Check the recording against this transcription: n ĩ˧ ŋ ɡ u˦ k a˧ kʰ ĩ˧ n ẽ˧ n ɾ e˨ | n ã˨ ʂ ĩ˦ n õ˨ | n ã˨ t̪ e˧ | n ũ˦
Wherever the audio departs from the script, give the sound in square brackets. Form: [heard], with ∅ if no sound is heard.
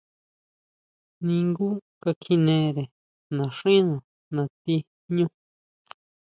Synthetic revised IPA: n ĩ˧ ŋ ɡ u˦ k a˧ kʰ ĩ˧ n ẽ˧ [∅] ɾ e˨ | n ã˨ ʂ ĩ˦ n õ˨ | n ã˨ t̪ [i˧] | [ɲ] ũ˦